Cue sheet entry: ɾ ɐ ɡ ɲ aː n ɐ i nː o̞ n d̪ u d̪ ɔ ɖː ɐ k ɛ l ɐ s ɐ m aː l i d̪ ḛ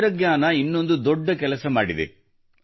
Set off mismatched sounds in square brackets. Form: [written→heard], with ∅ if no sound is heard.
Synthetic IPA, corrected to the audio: ɾ ɐ ɡ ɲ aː n ɐ i nː o̞ n d̪ u d̪ ɔ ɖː ɐ k ɛ l ɐ s ɐ m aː [l→ɽ] i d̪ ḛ